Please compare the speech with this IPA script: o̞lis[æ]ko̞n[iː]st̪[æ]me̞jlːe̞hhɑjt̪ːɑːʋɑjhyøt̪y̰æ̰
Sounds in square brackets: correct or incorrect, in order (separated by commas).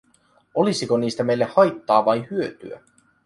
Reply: incorrect, correct, correct